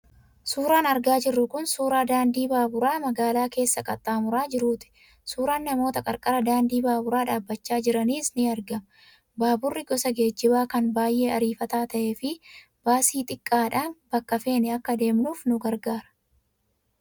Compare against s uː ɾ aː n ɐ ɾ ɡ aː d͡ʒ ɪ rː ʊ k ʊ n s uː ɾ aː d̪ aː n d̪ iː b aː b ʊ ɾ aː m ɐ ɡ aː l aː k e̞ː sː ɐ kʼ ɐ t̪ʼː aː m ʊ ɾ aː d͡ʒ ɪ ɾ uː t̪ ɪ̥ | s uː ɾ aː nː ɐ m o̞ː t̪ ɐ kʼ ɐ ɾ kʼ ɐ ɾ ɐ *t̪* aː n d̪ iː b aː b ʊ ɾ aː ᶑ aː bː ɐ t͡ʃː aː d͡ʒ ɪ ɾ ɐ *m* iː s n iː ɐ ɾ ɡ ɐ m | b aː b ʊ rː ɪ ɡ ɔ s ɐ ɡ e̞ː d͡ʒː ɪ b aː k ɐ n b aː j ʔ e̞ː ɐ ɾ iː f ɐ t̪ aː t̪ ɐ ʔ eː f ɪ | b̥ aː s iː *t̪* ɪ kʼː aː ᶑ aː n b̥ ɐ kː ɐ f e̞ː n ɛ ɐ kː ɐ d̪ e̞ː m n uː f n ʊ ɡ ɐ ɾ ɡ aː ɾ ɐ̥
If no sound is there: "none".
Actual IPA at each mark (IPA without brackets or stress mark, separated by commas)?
d̪, n, t̪ʼ